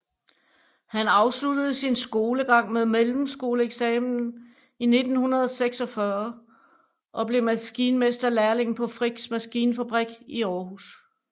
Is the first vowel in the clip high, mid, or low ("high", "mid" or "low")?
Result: low